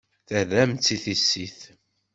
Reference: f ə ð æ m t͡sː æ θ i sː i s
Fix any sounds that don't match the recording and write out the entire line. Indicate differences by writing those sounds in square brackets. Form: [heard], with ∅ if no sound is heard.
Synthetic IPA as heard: [θ] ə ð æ m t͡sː [i] θ i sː i [θ]

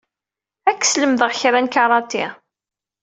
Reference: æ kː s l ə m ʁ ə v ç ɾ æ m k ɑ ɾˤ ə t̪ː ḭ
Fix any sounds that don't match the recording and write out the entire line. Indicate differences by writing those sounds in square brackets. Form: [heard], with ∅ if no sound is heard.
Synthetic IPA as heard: æ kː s l ə m [ð] ə [ʁ] ç ɾ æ [n] k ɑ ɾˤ [ɑ] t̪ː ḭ

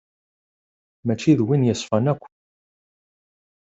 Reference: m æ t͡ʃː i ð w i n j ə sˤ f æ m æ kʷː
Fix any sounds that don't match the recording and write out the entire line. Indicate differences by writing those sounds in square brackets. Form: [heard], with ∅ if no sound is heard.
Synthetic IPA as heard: m æ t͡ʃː i ð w i n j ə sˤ f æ [n] æ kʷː

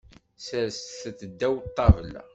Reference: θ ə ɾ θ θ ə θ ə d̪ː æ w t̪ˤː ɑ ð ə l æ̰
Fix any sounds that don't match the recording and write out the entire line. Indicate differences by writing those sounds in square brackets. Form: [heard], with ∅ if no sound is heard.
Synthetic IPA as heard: [s] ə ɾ [s] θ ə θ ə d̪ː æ w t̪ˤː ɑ [v] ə l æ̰

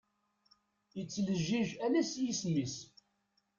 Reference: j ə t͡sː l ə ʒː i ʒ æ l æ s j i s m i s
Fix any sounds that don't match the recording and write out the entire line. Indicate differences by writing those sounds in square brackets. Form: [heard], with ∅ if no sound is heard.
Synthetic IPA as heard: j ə t͡sː l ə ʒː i ʒ æ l æ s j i s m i s

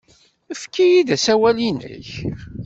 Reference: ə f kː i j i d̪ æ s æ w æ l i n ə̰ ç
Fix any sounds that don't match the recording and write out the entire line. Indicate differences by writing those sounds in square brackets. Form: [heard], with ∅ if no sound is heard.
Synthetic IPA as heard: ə f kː i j i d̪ æ s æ w æ l i n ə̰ ç

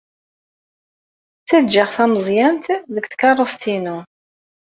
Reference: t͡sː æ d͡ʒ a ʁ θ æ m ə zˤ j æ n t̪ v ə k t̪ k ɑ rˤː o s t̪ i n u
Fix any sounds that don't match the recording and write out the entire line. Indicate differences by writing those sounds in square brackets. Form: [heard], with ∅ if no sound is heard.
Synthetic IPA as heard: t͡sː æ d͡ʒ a ʁ θ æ m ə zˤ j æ n t̪ [ð] ə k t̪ k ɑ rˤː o s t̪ i n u

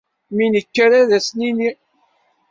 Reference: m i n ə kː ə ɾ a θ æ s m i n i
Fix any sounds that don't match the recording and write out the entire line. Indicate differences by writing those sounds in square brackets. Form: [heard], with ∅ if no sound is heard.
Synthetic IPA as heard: m i n ə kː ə ɾ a [ð] æ s [n] i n i

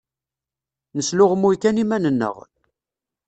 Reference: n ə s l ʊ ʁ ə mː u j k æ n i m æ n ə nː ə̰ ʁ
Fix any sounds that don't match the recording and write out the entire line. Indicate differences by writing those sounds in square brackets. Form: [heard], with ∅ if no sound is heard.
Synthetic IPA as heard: n ə s l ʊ ʁ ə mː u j k æ n i m æ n ə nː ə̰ ʁ

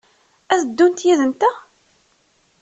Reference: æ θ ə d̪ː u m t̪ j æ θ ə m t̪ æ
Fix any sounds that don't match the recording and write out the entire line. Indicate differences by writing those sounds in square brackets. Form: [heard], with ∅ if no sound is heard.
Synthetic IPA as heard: æ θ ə d̪ː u [n] t̪ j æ [ð] ə [n] t̪ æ

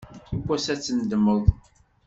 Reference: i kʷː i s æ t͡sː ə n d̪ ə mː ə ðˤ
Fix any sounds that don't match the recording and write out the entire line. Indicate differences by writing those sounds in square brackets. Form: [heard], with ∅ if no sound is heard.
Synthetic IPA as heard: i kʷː [æ] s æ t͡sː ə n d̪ ə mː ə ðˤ

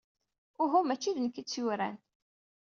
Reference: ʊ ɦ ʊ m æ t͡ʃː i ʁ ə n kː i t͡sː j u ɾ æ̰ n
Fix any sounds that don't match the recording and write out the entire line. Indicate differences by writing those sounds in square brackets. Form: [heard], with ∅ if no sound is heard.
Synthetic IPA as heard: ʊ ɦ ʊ m æ t͡ʃː i [ð] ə n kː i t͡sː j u ɾ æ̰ n

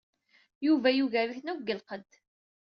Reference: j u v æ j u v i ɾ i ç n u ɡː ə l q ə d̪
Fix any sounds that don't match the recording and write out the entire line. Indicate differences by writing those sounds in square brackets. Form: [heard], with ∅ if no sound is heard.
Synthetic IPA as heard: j u v æ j u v [æ] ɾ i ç n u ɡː ə l q ə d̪

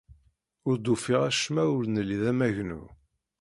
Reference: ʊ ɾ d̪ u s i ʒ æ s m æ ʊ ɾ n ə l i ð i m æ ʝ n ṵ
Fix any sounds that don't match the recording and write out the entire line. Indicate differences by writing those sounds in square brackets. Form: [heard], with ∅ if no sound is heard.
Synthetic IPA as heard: ʊ ɾ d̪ u [f] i [ʁ] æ [ʃ] m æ ʊ ɾ n ə l i ð [æ] m æ ʝ n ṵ

